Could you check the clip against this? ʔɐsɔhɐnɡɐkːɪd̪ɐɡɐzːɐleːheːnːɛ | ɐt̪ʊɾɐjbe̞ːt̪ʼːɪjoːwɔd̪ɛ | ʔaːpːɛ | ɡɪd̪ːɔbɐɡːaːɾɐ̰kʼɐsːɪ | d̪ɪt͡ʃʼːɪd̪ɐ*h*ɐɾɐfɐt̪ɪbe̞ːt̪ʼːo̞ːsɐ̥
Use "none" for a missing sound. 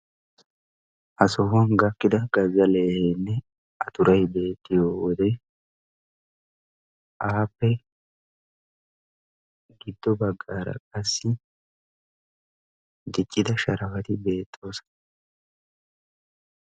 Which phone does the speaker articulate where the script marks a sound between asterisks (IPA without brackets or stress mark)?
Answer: ʃ